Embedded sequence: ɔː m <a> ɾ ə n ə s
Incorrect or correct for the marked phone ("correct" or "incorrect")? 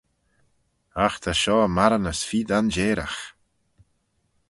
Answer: correct